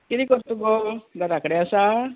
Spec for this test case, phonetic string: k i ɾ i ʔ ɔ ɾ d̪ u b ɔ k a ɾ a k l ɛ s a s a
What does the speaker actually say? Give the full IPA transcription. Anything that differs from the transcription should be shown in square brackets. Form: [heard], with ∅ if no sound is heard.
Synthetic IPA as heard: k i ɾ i [k] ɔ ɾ [t̪] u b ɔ [ɡ] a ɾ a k [ɽ] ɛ [∅] a s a